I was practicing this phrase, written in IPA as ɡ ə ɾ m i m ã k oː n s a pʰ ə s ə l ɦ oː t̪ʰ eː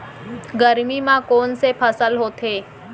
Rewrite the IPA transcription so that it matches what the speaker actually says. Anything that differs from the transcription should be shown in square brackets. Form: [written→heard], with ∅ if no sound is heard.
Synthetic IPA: ɡ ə ɾ m i m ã k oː n s [a→e] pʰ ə s ə l ɦ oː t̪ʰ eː

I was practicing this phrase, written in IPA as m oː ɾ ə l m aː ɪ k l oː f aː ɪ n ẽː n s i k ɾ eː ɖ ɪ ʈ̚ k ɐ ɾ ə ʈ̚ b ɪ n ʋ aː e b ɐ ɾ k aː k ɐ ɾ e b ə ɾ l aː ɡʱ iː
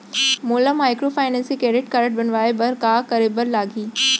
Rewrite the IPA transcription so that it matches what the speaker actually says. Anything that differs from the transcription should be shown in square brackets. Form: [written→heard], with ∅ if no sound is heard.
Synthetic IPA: m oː [ɾ→l] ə [l→∅] m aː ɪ k [l→ɾ] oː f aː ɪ n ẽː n s i k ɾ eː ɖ ɪ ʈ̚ k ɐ ɾ ə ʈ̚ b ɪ n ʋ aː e b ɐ ɾ k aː k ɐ ɾ e b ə ɾ l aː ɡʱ iː

